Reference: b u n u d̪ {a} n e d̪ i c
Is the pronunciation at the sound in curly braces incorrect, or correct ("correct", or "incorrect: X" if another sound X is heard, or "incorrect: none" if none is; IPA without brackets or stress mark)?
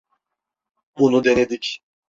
incorrect: e